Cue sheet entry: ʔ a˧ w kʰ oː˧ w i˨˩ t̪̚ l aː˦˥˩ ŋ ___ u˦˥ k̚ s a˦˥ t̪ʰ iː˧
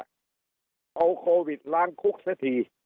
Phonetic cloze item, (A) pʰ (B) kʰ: B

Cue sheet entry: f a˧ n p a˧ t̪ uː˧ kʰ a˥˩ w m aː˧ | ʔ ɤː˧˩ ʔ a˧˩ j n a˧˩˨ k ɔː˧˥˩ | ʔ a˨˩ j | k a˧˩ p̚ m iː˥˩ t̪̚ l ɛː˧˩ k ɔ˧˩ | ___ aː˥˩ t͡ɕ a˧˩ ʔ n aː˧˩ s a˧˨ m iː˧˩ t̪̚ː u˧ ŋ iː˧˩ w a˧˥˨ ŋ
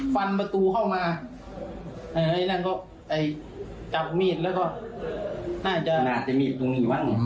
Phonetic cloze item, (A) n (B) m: A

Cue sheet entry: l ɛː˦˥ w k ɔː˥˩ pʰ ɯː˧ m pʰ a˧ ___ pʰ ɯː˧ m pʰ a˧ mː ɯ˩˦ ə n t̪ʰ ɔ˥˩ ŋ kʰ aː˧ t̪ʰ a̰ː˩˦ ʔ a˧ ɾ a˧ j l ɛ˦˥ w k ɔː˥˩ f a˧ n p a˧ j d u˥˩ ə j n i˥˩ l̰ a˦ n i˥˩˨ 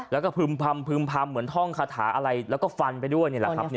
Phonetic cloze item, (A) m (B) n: A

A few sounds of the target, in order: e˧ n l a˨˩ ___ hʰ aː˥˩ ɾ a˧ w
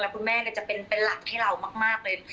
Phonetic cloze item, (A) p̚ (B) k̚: B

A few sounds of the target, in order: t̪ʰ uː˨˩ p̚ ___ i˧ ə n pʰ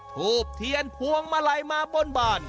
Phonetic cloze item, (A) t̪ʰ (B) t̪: A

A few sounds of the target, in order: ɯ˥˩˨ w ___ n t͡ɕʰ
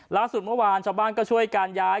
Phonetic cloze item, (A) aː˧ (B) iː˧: A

